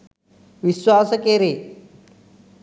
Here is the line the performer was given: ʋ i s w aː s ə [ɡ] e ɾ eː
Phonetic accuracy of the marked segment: incorrect: k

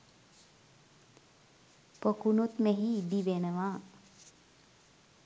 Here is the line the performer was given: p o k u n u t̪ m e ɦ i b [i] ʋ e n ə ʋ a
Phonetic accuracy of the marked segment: correct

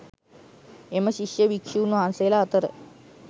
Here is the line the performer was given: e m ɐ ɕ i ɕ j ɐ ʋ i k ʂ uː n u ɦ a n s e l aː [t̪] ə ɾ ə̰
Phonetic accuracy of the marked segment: correct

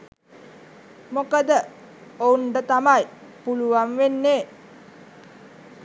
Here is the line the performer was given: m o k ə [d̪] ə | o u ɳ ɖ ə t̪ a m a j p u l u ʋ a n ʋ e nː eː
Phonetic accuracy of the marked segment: correct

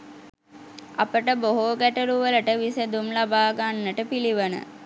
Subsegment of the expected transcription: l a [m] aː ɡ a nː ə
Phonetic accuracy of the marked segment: incorrect: b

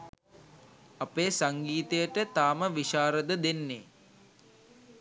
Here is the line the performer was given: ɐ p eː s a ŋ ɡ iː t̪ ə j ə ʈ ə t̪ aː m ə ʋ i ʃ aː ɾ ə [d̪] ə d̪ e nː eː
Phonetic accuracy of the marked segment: correct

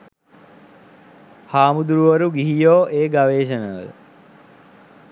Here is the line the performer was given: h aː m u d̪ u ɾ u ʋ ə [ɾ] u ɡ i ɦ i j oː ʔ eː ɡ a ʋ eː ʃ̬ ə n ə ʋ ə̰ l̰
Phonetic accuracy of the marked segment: correct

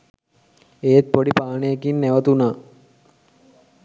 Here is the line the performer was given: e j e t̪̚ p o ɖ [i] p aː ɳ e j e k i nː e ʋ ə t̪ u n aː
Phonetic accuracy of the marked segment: correct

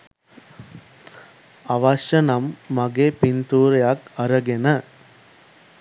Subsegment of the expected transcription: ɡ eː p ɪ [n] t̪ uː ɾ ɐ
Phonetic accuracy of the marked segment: correct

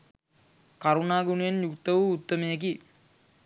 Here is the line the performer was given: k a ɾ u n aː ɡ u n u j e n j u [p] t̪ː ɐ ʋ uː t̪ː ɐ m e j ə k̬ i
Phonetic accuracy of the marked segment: incorrect: k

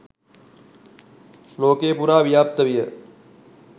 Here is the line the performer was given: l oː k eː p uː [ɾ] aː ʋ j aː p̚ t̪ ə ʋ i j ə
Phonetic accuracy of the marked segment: correct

